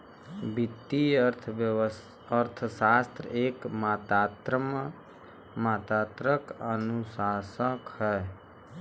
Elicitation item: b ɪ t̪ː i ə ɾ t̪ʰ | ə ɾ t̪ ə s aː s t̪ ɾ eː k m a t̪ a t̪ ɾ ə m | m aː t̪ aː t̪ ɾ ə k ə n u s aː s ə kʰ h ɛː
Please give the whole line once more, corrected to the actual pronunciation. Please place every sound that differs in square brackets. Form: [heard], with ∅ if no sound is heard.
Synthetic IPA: b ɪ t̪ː i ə ɾ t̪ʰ | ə ɾ [t̪ʰ] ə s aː s t̪ ɾ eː k m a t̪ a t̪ ɾ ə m | m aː t̪ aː t̪ ɾ ə k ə n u s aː s ə [k] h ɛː